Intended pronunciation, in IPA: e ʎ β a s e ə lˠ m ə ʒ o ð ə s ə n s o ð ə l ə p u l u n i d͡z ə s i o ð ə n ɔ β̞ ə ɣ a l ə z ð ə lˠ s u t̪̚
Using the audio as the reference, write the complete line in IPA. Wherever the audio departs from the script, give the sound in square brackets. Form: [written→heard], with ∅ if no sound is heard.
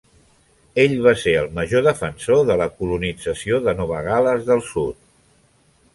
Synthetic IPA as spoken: e ʎ β a s e ə lˠ m ə ʒ o ð ə [s→f] ə n s o ð ə l ə [p→k] u l u n i d͡z ə s i o ð ə n ɔ β̞ ə ɣ a l ə z ð ə lˠ s u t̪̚